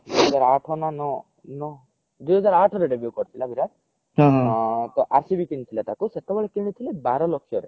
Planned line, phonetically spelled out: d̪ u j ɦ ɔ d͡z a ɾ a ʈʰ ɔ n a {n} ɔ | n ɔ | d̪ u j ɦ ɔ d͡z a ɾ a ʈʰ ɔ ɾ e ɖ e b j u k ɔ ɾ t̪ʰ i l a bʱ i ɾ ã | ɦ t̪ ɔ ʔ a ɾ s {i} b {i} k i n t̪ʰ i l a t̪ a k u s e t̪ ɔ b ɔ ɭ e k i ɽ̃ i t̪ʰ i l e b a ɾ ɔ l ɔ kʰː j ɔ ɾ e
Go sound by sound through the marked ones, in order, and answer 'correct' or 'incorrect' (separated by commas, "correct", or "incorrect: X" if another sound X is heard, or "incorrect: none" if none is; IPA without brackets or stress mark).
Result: correct, correct, correct